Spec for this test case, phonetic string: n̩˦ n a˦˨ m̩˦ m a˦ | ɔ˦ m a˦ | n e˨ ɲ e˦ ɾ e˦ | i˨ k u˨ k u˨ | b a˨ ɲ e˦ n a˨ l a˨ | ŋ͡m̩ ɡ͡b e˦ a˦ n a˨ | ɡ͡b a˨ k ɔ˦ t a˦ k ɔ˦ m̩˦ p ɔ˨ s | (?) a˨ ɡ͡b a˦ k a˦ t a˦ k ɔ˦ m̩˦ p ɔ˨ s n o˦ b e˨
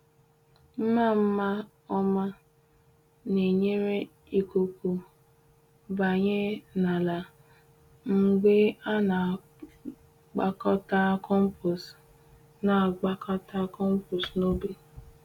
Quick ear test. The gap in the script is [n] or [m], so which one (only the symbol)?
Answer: n